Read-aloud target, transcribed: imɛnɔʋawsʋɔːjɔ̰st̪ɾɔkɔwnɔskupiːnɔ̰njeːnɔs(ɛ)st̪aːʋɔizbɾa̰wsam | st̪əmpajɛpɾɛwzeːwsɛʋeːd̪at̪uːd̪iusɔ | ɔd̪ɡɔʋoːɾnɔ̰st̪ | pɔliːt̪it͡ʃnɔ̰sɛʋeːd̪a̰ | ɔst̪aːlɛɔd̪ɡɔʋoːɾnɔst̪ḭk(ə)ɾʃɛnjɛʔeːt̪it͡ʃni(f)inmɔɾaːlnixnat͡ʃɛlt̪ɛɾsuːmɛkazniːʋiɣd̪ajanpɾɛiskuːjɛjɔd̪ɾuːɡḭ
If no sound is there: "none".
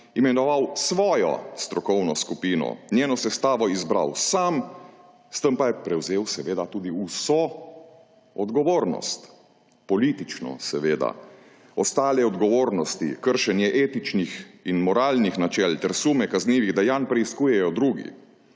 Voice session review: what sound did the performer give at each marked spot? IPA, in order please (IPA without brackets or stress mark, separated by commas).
ɛ, ə, x